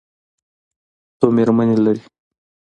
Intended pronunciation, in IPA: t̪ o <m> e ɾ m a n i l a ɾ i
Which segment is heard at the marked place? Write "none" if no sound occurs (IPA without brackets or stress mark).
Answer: m